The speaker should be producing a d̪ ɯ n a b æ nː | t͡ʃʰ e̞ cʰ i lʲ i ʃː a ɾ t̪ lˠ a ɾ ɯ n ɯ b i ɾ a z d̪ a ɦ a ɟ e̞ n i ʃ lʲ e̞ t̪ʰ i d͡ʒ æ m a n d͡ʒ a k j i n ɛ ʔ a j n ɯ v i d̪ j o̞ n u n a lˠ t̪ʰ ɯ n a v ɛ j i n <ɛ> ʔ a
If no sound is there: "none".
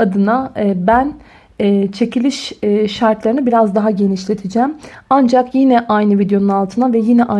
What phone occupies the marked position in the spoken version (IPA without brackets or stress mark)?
ɛ